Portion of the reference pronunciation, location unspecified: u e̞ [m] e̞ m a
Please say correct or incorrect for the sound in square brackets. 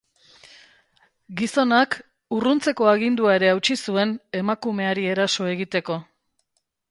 incorrect: n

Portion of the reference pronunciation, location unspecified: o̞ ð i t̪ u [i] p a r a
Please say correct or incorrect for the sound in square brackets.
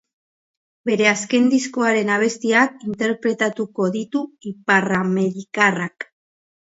correct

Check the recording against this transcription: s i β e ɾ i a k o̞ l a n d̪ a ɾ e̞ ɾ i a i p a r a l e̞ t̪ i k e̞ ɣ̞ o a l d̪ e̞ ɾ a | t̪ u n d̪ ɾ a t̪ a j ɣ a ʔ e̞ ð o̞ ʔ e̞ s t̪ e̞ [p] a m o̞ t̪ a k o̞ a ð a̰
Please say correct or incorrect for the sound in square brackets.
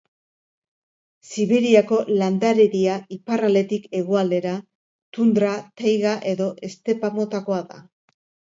correct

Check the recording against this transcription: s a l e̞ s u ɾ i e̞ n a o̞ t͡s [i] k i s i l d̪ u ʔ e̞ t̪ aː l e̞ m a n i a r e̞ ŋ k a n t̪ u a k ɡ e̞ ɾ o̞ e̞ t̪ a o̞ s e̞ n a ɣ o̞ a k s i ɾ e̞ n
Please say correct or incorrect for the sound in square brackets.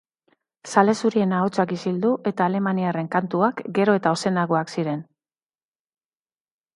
incorrect: a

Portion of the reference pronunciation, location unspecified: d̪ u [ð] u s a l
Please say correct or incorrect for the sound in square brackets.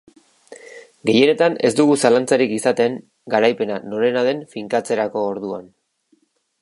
incorrect: ɣ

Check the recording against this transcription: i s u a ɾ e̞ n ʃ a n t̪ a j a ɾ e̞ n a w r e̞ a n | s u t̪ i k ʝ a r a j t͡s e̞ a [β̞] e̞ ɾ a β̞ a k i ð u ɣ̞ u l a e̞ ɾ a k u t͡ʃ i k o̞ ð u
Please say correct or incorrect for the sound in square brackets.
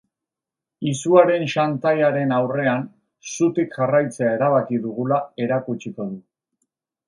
incorrect: none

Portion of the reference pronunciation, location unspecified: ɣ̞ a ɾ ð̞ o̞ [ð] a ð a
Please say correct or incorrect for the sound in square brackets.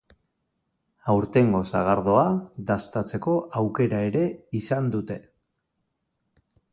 incorrect: none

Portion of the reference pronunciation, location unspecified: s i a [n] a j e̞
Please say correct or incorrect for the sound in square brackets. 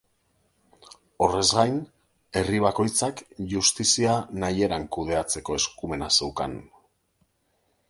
correct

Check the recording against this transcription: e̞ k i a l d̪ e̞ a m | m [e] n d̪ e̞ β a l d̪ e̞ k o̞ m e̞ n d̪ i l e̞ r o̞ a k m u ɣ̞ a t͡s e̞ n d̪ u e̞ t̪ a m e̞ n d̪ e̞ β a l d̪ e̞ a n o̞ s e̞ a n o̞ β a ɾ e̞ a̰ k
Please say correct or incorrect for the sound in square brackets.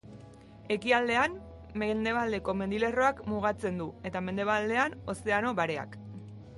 correct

